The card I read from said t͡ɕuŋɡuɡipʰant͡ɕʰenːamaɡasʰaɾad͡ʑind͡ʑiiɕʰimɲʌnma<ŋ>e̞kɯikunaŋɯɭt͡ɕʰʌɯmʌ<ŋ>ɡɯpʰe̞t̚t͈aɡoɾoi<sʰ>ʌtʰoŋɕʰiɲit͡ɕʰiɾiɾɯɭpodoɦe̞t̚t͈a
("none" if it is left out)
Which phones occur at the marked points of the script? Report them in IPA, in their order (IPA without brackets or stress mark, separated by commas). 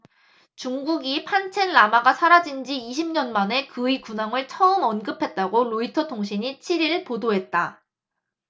n, n, tʰ